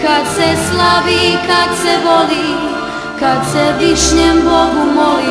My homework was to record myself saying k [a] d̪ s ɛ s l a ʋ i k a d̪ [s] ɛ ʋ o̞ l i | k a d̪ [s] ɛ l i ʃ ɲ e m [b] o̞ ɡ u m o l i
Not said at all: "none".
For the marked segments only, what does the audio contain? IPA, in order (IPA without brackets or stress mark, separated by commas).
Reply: a, s, s, b